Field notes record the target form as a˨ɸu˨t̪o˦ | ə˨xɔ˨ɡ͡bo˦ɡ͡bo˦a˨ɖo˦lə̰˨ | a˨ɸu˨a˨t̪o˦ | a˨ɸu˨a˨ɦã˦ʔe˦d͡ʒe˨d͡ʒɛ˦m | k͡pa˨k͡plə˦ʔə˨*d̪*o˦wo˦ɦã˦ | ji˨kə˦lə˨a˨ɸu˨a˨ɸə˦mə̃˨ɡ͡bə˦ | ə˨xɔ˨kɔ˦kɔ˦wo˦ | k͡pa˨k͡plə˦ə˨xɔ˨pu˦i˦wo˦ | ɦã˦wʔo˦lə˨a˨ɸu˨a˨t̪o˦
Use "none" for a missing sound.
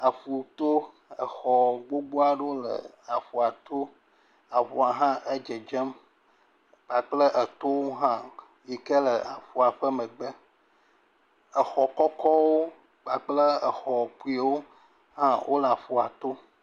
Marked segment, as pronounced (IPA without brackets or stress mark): t̪